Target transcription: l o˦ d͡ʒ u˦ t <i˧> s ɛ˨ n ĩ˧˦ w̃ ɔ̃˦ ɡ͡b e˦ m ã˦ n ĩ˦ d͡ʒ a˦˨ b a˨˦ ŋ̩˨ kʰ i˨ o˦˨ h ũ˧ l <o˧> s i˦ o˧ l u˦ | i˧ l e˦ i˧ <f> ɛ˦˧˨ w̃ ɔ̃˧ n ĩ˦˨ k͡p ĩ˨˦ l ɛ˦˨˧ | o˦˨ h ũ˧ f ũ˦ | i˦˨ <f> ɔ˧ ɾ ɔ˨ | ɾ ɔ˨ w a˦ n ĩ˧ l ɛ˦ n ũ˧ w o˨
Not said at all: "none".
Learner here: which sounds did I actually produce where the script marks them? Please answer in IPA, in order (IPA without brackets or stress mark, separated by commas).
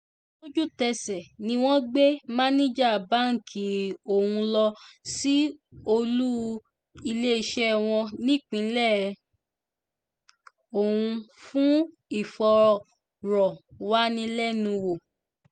ɛ˧, ɔ˧, ʃ, f